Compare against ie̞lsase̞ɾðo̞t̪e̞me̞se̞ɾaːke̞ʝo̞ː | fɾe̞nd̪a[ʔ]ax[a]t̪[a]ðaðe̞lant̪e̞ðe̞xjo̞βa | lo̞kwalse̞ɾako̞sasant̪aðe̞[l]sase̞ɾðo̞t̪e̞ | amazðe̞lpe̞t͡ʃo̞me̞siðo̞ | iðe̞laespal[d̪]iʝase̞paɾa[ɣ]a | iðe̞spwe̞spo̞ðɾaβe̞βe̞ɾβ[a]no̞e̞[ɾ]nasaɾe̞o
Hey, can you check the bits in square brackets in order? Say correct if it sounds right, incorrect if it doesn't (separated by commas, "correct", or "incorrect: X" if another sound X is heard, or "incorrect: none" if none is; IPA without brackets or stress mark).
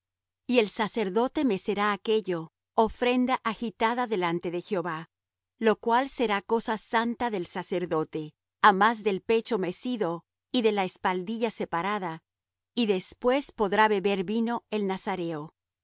correct, incorrect: i, correct, correct, correct, incorrect: ð, incorrect: i, incorrect: l